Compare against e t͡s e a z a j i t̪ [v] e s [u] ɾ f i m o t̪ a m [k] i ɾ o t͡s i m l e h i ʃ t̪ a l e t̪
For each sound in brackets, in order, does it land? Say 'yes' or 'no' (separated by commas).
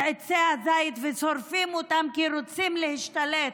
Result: yes, no, yes